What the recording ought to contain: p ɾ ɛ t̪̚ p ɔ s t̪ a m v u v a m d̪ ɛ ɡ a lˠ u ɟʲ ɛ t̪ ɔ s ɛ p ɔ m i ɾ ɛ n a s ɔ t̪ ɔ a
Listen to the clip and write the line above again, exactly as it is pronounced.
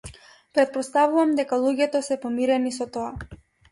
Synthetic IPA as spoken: p ɾ ɛ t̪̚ p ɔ s t̪ a v u v a m d̪ ɛ k a lˠ u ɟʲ ɛ t̪ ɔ s ɛ p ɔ m i ɾ ɛ n i s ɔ t̪ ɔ a